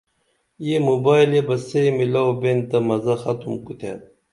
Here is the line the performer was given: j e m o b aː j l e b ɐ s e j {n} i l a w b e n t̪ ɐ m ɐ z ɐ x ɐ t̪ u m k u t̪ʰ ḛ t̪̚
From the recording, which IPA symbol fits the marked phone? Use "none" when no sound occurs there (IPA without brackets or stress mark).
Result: m